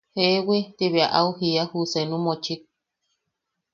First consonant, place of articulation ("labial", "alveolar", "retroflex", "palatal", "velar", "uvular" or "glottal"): glottal